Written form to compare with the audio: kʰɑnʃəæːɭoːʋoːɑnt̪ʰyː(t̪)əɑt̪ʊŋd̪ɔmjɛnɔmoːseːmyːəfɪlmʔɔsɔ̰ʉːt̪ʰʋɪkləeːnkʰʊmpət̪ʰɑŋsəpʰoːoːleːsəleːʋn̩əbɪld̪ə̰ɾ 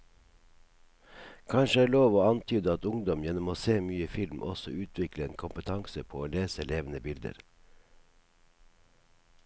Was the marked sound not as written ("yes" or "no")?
yes